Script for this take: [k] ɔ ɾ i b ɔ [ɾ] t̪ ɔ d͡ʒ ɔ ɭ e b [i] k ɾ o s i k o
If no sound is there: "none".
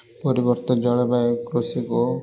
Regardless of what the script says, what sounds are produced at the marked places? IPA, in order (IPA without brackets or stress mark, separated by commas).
p, ɾ, a